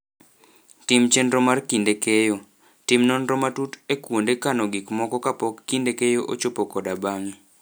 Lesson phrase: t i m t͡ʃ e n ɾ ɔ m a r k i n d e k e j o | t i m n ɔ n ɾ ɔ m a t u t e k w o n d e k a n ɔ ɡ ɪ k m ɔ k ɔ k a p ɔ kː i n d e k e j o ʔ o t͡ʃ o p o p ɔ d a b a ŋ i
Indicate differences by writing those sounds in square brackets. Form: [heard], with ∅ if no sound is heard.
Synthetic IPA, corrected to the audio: t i m t͡ʃ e n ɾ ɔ m a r k i n d e k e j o | t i m n ɔ n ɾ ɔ m a t u t e k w o n d e k a n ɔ ɡ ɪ k m ɔ k ɔ k a p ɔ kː i n d e k e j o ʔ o t͡ʃ o p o [k] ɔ d a b a ŋ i

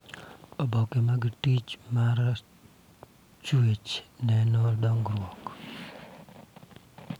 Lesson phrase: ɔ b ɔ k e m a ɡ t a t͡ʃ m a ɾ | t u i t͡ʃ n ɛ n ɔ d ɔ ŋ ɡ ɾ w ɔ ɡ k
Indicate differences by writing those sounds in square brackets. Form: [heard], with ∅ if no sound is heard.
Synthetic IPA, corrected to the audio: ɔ b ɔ k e m a ɡ t [i] t͡ʃ m a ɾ | [t͡ʃ] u [e] t͡ʃ n ɛ n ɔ d ɔ ŋ ɡ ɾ w ɔ [∅] k

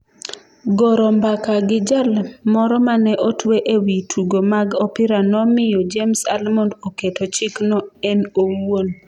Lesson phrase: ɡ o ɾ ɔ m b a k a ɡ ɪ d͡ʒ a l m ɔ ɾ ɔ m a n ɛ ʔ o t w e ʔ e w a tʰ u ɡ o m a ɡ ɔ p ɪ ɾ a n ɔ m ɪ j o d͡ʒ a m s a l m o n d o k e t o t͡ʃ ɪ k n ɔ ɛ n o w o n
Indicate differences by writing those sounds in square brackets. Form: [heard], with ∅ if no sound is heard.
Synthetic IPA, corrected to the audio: ɡ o ɾ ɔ m b a k a ɡ ɪ d͡ʒ a l m ɔ ɾ ɔ m a n ɛ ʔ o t w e ʔ e w [i] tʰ u ɡ o m a ɡ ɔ p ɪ ɾ a n ɔ m ɪ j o d͡ʒ [e] m s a l m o n d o k e t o t͡ʃ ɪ k n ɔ ɛ n o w o n

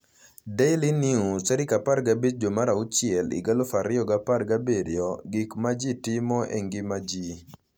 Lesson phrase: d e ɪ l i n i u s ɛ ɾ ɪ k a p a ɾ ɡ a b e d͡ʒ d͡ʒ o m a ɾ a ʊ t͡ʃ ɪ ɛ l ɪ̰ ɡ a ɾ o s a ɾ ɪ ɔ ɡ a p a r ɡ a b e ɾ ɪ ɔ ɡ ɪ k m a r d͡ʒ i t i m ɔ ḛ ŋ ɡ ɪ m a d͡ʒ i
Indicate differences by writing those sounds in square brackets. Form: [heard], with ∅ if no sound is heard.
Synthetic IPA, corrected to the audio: d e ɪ l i n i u s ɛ ɾ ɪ k a p a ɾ ɡ a b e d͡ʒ d͡ʒ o m a ɾ a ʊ t͡ʃ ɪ ɛ l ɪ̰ ɡ a [l] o [f] a ɾ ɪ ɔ ɡ a p a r ɡ a b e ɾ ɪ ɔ ɡ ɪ k m a [∅] d͡ʒ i t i m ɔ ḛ ŋ ɡ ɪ m a d͡ʒ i

